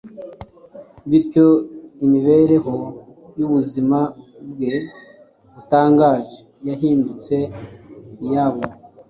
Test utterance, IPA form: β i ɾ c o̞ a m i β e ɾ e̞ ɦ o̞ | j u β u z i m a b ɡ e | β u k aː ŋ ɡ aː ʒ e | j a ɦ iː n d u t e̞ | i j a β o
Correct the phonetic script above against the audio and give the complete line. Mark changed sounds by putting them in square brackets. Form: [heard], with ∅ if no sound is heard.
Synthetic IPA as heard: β i ɾ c o̞ [i] m i β e ɾ e̞ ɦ o̞ | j u β u z i m a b ɡ e | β u [t] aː ŋ ɡ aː ʒ e | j a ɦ iː n d u [t͡s] e̞ | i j a β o